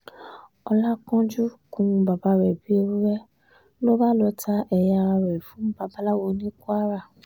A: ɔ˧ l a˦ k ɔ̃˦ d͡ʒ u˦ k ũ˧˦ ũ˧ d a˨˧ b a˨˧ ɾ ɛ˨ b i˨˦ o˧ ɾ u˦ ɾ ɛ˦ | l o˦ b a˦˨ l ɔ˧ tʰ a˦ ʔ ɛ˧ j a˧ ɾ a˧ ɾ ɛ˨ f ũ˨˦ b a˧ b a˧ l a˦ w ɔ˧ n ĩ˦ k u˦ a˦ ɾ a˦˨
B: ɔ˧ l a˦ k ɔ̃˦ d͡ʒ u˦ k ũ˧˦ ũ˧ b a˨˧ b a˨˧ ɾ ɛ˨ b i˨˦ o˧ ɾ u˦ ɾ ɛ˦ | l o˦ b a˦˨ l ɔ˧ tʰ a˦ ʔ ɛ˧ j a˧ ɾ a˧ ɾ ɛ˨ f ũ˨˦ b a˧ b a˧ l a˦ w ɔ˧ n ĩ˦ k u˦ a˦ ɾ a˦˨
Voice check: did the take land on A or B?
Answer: B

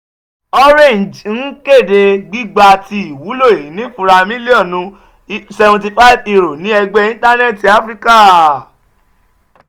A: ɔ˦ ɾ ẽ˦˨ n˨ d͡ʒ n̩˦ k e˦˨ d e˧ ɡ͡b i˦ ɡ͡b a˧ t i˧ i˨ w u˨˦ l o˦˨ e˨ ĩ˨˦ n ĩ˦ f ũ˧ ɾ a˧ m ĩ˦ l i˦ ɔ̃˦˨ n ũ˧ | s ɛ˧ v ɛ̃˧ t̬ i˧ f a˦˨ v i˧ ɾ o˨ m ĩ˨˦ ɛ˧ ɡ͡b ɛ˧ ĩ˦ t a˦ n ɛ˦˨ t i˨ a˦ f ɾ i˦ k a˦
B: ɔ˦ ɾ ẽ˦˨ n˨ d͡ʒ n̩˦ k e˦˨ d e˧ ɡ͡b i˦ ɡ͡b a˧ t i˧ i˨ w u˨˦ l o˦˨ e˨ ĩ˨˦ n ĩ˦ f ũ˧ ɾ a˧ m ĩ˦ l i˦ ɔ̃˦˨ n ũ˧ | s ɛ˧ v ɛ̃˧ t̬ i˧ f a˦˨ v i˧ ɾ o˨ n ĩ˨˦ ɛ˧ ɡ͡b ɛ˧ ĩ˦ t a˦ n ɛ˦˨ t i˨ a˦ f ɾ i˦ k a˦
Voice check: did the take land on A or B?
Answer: B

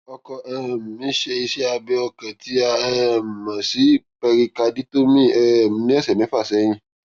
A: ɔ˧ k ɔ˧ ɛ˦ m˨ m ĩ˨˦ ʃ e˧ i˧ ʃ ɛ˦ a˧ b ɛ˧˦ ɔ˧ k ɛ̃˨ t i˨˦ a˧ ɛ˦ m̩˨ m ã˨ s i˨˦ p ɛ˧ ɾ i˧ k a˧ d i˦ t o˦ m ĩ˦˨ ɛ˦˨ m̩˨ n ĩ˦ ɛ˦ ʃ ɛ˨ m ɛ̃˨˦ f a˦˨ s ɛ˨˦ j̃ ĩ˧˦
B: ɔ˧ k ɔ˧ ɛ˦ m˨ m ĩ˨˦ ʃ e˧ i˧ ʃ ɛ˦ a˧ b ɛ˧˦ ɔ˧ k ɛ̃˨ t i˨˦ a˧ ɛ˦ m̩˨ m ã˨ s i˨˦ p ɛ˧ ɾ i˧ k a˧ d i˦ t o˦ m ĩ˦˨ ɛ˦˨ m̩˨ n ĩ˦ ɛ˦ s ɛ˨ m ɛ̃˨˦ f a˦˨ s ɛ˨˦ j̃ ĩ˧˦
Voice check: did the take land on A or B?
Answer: B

